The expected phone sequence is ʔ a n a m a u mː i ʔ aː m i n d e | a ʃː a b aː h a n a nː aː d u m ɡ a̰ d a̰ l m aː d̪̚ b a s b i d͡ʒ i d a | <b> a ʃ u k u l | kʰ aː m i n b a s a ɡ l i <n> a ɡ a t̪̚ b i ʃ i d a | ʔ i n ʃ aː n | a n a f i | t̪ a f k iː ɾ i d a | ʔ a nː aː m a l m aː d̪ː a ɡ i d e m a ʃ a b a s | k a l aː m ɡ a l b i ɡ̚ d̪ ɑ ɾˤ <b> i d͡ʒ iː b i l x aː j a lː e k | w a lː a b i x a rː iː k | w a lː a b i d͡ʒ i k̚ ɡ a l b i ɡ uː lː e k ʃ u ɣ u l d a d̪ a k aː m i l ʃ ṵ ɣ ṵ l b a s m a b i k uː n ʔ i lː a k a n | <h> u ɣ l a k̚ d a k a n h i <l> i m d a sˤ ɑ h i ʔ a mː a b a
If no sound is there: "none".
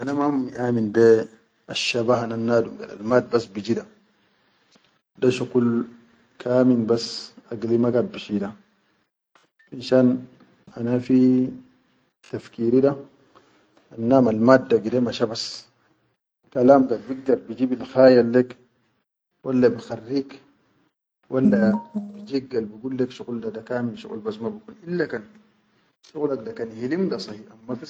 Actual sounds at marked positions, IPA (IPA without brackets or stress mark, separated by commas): d, m, b, ʃ, l